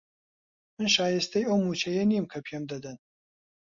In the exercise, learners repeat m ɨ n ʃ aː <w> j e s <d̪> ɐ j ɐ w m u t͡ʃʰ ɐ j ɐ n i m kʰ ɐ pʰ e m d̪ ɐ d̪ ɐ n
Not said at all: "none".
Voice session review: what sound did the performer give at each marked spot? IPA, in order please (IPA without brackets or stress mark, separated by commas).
none, t̪